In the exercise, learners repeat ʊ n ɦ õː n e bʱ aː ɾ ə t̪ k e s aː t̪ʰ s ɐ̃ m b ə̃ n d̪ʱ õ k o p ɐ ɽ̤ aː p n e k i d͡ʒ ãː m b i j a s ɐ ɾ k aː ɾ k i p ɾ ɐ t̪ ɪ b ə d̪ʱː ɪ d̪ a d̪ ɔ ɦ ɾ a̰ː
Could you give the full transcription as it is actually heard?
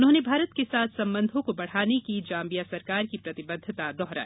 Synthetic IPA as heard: ʊ n ɦ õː n e bʱ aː ɾ ə t̪ k e s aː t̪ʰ s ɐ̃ m b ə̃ n d̪ʱ õ k o b ɐ ɽ̤ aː n e k i d͡ʒ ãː m b i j a s ɐ ɾ k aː ɾ k i p ɾ ɐ t̪ ɪ b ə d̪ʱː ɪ t̪ a d̪ ɔ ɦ ɾ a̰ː